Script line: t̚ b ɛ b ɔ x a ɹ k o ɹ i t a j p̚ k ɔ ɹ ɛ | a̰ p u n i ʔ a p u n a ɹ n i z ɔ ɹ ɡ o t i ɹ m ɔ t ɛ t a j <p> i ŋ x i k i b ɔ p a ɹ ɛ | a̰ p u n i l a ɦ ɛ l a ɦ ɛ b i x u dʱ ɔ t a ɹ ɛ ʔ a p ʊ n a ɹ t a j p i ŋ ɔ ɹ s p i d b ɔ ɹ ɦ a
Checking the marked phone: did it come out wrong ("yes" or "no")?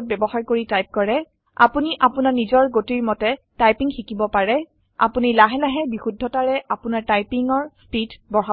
no